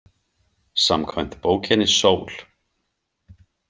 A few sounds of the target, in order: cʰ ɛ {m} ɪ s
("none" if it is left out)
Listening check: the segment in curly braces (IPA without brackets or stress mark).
n